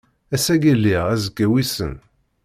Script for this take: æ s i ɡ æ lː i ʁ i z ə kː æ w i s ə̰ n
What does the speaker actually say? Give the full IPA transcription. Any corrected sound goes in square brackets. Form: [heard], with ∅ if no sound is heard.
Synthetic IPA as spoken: æ s [æ] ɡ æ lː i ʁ [æ] z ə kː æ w i s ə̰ n